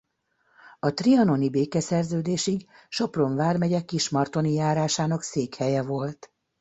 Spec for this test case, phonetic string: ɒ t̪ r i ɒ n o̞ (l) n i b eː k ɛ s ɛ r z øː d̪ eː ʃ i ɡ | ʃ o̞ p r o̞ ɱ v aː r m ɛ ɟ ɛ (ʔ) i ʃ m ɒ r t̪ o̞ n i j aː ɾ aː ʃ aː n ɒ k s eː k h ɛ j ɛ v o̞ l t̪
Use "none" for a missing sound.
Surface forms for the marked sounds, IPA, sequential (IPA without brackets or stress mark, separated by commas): none, k